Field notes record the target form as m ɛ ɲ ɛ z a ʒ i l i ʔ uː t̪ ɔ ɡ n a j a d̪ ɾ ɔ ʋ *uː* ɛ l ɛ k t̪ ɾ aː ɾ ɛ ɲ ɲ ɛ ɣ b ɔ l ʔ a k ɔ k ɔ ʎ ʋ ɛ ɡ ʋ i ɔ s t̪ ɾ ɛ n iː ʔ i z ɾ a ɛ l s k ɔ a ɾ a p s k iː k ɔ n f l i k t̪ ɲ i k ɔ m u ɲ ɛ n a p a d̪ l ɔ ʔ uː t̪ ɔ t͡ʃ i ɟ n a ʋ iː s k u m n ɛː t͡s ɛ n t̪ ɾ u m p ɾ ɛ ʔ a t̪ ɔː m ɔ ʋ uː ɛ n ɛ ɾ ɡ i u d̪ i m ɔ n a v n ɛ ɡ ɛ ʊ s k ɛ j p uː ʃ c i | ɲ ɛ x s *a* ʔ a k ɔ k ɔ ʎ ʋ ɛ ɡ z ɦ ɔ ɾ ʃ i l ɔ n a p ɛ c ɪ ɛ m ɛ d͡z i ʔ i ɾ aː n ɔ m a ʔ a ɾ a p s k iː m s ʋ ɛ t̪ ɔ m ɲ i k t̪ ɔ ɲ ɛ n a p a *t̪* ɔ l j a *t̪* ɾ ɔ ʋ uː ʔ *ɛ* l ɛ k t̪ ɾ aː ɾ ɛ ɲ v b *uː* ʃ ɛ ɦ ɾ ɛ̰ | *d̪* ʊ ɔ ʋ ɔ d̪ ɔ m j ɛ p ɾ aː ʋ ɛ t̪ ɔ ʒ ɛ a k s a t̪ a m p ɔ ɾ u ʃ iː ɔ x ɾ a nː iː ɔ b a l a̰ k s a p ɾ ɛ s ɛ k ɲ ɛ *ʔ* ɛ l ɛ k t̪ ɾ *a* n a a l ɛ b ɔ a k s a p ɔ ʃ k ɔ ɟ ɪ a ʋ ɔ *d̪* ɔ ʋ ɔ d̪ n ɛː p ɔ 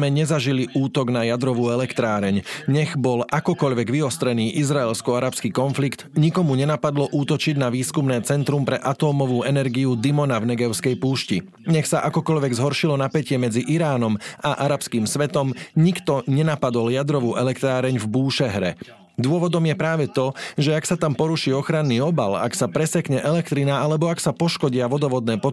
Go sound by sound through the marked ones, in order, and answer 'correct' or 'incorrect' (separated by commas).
correct, correct, incorrect, incorrect, correct, correct, correct, correct, incorrect, correct